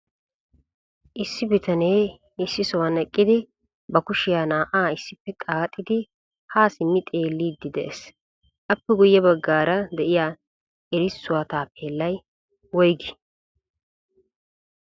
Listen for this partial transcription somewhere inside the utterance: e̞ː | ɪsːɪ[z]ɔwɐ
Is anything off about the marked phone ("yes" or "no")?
yes